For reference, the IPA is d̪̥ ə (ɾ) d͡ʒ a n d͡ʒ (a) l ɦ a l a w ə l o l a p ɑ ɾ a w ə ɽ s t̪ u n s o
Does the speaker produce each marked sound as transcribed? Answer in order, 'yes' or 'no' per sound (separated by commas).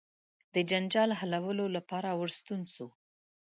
no, no